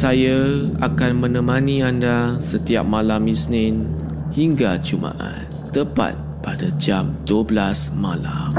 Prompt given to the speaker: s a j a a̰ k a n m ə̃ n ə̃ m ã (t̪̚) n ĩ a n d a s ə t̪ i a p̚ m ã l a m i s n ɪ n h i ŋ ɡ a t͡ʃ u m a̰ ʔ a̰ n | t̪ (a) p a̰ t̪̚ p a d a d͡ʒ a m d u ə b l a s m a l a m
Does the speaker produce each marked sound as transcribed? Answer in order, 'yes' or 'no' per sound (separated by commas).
no, no